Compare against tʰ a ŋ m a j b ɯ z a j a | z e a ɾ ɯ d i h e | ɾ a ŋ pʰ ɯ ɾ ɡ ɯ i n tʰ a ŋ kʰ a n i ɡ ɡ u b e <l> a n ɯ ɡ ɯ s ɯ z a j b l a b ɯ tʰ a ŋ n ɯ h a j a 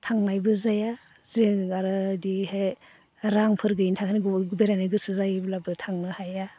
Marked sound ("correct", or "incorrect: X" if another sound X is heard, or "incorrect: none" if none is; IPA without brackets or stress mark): incorrect: ɾ